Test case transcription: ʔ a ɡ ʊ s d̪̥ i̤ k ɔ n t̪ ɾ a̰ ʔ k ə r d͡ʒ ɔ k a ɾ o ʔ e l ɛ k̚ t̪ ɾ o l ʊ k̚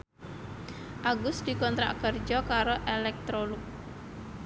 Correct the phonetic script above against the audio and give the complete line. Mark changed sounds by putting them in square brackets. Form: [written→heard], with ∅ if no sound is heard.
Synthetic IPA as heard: ʔ a ɡ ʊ s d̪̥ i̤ k ɔ n t̪ ɾ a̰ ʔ k ə r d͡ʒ ɔ k a ɾ o ʔ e l ɛ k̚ t̪ ɾ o l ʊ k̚